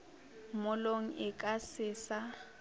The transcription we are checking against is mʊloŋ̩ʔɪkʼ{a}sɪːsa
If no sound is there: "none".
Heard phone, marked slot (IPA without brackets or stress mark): a